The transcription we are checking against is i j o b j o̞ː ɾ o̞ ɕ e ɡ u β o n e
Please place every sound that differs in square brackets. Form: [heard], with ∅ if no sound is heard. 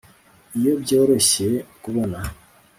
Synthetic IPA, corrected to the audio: i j o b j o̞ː ɾ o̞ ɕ e [k] u β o n [a]